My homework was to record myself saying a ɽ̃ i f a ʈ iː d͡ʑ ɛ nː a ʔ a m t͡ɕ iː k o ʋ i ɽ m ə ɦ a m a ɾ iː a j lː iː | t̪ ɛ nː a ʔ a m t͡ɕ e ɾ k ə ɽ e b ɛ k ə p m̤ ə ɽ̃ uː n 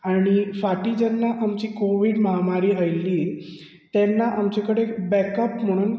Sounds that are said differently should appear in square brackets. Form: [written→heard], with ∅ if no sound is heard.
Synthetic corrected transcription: a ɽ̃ i f a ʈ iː d͡ʑ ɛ nː a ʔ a m t͡ɕ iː k o ʋ i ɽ m ə ɦ a m a ɾ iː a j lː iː | t̪ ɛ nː a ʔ a m t͡ɕ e [ɾ→∅] k ə ɽ e b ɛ k ə p m̤ ə ɽ̃ uː n